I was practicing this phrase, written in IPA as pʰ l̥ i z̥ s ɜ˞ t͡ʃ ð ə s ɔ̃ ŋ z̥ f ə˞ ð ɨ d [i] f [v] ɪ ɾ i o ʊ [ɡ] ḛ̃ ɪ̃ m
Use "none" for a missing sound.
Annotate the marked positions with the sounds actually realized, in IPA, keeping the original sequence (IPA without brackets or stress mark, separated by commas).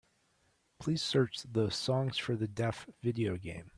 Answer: ɛ, v, ɡ